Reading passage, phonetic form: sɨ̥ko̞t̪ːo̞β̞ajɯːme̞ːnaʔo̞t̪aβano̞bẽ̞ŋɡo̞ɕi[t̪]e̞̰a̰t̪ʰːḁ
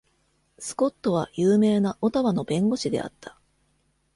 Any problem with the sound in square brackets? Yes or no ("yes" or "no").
yes